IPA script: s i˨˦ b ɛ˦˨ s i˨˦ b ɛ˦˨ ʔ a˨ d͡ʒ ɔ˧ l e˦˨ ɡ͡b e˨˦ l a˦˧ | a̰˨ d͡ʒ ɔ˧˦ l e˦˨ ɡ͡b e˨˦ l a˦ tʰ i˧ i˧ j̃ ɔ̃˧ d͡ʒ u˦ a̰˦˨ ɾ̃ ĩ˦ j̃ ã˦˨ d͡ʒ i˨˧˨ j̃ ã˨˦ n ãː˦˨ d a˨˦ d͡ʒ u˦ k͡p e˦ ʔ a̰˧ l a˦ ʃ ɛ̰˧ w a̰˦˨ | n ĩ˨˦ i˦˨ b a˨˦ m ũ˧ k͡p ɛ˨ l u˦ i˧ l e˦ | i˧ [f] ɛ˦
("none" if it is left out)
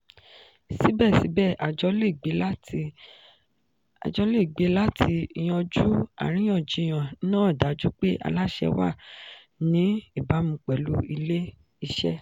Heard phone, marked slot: ʃ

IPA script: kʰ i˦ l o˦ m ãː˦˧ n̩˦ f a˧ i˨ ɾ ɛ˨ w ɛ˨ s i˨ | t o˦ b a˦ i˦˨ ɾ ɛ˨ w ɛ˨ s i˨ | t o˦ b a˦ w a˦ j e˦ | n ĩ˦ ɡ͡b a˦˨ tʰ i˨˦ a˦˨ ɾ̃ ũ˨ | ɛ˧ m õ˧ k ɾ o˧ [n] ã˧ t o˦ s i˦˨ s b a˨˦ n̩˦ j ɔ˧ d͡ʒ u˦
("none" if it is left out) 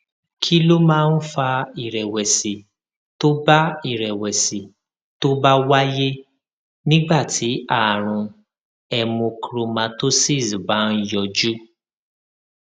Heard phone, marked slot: m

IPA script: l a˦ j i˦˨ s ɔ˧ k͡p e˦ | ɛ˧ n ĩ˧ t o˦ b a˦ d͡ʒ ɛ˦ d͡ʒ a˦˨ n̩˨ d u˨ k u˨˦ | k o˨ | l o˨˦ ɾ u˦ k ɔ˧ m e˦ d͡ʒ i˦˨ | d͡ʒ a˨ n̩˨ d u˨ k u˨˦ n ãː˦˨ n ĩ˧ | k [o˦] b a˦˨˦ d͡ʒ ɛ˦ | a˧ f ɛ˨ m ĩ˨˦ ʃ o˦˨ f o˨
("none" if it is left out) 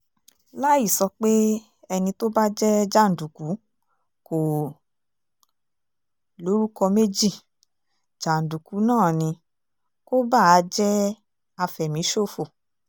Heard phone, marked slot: o˦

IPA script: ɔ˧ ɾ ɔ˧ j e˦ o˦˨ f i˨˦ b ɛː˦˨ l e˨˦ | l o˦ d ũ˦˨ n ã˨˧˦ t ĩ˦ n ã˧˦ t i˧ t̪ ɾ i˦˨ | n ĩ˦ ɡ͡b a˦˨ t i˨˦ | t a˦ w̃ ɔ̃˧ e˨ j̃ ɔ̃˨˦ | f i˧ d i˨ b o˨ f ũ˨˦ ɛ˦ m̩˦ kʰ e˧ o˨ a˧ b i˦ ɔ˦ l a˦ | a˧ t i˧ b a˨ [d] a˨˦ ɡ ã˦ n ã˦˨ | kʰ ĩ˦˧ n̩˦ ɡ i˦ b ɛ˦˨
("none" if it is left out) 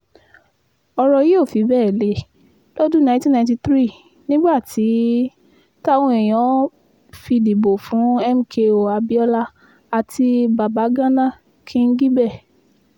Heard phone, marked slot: b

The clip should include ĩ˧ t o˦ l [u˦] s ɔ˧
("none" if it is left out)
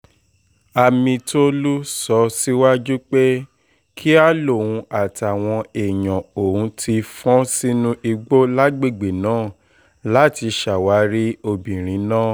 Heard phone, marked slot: u˦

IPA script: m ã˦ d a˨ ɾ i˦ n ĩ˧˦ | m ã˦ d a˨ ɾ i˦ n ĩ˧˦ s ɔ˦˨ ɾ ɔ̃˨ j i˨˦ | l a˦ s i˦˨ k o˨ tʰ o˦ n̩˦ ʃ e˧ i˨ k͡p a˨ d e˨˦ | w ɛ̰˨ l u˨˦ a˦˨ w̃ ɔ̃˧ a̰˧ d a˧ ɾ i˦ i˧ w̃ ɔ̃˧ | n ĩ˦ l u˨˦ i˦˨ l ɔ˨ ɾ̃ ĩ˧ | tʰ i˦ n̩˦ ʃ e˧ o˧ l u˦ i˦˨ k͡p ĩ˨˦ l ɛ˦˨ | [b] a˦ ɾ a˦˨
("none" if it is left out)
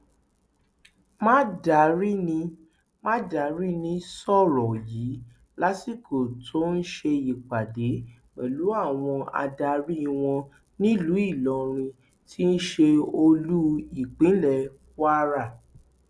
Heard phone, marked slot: w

